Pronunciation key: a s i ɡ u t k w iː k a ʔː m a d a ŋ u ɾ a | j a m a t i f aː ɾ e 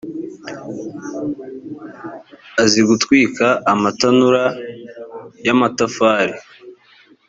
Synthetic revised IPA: a z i ɡ u t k w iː k a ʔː m a t a n u ɾ a | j a m a t a f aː ɾ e